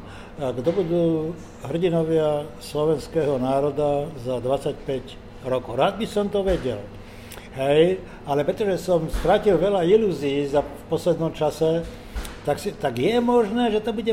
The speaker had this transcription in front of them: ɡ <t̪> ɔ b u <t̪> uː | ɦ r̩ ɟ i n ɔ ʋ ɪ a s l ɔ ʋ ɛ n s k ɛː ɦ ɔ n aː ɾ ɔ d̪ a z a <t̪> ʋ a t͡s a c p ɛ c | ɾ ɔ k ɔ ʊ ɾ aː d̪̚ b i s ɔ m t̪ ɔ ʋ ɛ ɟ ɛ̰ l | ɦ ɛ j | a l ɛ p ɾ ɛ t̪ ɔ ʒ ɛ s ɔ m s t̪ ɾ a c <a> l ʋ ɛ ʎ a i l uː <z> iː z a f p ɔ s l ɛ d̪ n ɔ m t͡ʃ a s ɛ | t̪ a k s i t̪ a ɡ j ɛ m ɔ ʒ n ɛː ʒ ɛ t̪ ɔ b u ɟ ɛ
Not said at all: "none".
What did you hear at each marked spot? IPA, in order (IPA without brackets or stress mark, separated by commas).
d̪, d̪, d̪, i, z